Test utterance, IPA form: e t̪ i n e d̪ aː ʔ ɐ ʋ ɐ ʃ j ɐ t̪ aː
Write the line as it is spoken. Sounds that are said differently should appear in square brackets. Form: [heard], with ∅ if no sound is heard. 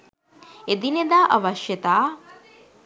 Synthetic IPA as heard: e [d̪] i n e d̪ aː ʔ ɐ ʋ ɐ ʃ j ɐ t̪ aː